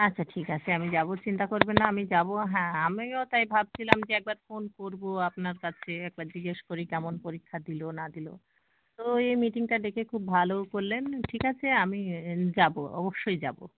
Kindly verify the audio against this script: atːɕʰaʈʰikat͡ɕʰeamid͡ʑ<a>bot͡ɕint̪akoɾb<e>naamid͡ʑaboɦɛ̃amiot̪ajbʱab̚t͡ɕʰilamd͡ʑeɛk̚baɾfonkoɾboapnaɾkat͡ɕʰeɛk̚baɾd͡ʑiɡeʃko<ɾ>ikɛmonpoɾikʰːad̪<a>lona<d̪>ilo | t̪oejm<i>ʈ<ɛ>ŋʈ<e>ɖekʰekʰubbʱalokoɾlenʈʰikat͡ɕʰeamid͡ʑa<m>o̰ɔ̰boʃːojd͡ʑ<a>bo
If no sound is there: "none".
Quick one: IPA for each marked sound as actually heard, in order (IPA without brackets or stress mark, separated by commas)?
a, e, ɾ, i, d̪, i, i, a, b, a